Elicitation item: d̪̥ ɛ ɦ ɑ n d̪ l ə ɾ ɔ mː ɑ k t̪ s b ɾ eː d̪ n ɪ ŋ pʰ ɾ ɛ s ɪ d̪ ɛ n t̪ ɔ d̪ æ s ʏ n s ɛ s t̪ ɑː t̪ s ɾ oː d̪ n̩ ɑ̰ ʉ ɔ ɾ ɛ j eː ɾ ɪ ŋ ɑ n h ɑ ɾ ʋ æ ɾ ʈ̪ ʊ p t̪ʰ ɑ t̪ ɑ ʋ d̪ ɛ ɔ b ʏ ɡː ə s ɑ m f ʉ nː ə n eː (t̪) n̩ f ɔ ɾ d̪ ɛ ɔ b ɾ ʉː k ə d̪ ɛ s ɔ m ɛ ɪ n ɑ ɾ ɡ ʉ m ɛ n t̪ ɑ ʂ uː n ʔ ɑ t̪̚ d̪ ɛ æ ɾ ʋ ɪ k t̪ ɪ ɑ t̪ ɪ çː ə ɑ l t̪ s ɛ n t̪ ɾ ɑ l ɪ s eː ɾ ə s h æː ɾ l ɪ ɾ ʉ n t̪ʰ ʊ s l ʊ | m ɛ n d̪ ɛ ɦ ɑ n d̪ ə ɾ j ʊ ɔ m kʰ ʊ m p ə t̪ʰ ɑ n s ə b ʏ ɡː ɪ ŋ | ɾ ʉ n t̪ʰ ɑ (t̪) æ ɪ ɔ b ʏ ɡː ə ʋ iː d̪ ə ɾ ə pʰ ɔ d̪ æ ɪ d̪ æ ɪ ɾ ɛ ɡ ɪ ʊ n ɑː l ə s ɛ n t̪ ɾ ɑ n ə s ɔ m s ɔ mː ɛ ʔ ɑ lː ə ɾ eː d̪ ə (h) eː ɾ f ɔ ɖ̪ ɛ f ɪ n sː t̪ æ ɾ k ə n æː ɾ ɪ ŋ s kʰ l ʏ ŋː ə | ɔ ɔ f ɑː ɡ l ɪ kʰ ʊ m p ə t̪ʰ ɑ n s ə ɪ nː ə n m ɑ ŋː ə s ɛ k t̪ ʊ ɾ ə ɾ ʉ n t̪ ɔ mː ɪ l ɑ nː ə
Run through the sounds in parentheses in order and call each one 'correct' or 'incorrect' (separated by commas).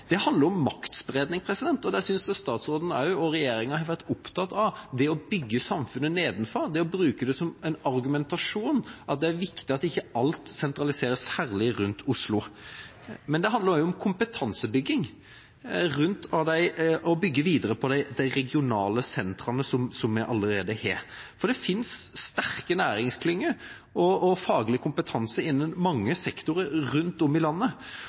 incorrect, incorrect, correct